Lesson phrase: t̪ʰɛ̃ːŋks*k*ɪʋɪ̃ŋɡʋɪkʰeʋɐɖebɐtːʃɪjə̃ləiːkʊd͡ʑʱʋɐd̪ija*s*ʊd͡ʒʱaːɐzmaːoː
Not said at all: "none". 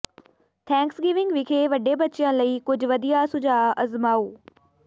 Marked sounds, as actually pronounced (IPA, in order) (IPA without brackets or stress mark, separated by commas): ɡ, s